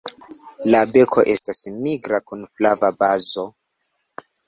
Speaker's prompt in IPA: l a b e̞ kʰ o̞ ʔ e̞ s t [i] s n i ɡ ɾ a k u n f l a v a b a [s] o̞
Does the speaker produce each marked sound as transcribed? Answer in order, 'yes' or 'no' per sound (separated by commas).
no, no